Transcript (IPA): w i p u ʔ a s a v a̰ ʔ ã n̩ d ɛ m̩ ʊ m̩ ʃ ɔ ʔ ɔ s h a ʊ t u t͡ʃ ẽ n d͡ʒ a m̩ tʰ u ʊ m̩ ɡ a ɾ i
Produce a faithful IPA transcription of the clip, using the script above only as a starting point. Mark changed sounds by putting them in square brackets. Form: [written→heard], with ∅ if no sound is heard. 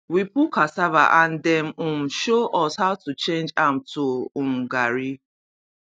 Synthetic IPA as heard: w i p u [ʔ→k] a s a v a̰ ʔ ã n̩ d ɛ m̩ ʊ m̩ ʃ [ɔ→o] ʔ ɔ s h a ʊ t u t͡ʃ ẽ n d͡ʒ a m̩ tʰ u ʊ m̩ ɡ a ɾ i